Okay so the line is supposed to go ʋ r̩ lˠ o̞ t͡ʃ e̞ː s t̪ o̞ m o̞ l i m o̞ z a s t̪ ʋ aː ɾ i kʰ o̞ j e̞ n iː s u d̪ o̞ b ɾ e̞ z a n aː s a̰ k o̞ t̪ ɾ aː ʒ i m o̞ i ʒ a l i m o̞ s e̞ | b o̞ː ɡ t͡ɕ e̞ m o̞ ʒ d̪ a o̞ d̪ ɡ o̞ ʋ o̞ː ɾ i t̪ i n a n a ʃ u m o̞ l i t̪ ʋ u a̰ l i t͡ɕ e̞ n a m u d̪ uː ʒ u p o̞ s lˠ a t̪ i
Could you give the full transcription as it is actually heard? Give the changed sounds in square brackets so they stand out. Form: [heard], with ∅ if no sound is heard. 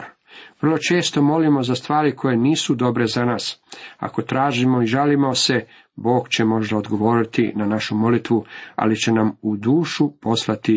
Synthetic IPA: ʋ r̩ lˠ o̞ t͡ʃ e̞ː s t̪ o̞ m o̞ l i m o̞ z a s t̪ ʋ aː ɾ i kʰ o̞ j e̞ n iː s u d̪ o̞ b ɾ e̞ z a n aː s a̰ k o̞ t̪ ɾ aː ʒ i m o̞ i ʒ a l i m o̞ s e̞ | b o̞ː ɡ t͡ɕ e̞ m o̞ ʒ d̪ a o̞ d̪ ɡ o̞ ʋ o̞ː ɾ i t̪ i n a n a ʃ u m o̞ l i t̪ ʋ u a̰ l i t͡ɕ e̞ n a m u d̪ uː [ʃ] u p o̞ s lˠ a t̪ i